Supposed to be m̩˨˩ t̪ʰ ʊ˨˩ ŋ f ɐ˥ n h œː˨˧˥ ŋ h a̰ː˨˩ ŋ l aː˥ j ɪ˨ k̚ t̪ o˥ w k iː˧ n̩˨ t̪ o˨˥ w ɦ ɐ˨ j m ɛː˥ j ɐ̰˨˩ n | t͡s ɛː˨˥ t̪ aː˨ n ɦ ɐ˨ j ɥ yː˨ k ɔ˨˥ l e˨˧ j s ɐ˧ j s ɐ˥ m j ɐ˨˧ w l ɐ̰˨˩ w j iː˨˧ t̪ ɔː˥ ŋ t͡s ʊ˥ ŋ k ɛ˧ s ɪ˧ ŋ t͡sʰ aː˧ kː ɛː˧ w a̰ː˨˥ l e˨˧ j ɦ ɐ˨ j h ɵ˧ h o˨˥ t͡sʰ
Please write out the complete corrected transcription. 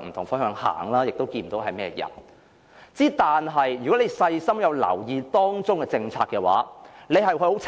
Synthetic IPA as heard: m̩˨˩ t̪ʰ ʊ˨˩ ŋ f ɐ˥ n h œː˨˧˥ ŋ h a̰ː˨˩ ŋ l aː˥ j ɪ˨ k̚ t̪ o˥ w k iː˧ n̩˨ t̪ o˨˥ w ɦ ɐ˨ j m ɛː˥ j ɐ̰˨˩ n | t͡s iː˨˥ t̪ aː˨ n ɦ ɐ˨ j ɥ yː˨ k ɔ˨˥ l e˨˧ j s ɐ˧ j s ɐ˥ m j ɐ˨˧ w l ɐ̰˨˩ w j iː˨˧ t̪ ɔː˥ ŋ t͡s ʊ˥ ŋ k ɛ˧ t͡s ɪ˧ ŋ t͡sʰ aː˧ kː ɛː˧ w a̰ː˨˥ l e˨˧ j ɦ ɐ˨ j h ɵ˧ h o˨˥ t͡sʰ